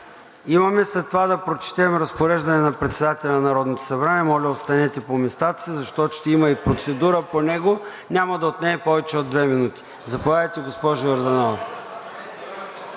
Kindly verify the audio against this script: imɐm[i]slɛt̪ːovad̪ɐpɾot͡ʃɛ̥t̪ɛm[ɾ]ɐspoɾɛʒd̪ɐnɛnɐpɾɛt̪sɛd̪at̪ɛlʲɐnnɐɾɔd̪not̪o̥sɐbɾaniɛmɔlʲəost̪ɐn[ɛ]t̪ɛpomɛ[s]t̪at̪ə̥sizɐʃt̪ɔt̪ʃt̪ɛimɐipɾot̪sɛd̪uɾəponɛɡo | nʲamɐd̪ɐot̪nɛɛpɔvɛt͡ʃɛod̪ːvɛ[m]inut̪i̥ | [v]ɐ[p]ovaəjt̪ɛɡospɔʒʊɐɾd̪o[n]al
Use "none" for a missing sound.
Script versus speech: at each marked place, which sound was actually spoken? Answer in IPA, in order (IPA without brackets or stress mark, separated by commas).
ɛ, ɾ, ɛ, s, m, z, p, n